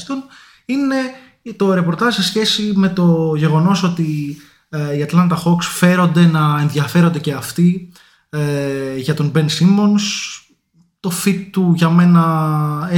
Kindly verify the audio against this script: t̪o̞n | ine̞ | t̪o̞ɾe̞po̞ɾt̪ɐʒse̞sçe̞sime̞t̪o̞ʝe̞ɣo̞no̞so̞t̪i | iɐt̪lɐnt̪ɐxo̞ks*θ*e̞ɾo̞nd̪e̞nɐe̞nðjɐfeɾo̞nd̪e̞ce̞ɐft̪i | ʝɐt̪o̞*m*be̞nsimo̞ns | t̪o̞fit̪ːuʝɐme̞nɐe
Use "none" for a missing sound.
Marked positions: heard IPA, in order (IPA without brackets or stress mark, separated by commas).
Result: f, n